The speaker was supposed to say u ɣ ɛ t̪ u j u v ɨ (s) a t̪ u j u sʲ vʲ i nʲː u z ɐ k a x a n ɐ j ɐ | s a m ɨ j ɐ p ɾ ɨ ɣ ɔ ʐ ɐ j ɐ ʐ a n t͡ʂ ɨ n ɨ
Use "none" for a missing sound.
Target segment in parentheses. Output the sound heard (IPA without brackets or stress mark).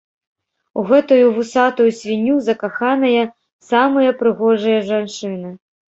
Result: s